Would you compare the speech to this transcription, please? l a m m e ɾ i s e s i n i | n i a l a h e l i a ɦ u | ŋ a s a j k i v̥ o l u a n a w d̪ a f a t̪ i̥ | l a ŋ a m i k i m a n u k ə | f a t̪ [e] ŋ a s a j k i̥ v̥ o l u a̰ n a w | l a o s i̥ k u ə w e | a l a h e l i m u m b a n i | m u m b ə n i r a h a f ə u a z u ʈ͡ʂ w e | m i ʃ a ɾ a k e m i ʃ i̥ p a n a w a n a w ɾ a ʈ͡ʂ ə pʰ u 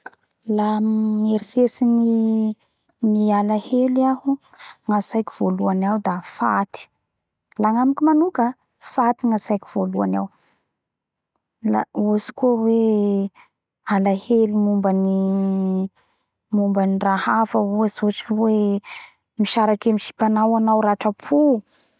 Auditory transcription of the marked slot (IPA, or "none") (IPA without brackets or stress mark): i